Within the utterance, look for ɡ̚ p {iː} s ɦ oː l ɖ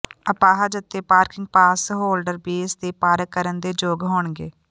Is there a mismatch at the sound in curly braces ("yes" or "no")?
yes